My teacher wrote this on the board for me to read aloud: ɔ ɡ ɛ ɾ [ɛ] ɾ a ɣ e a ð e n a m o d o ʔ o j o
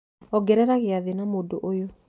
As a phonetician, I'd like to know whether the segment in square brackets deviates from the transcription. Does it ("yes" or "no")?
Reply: no